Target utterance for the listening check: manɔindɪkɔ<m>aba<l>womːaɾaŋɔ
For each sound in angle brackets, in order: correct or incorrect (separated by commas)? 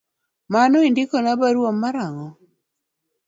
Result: incorrect, incorrect